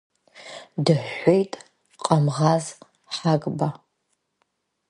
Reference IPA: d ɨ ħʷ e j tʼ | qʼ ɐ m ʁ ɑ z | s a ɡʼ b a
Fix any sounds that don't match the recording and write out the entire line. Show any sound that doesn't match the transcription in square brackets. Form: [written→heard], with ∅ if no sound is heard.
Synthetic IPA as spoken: d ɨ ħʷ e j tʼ | qʼ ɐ m ʁ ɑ z | [s→ħ] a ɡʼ b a